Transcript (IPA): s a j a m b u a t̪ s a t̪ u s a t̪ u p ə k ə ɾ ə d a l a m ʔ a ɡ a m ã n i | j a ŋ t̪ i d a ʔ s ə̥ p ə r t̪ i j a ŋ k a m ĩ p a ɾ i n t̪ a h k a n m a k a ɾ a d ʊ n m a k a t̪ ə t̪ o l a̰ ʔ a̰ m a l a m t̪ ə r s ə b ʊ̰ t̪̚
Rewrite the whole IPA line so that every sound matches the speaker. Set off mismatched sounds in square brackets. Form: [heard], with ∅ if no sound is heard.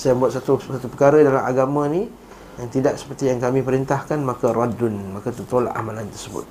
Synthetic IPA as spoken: s a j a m b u a t̪ s a t̪ u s a t̪ u p ə k [a] ɾ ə d a l a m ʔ a ɡ a m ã n i | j a ŋ t̪ i d a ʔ s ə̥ p ə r t̪ i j a ŋ k a m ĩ p [ə] ɾ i n t̪ a h k a n m a k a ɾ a d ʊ n m a k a t̪ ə t̪ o l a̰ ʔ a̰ m a l a [n] t̪ ə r s ə b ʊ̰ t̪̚